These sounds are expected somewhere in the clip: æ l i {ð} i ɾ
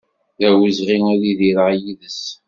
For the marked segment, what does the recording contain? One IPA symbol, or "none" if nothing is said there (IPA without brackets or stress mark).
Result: ð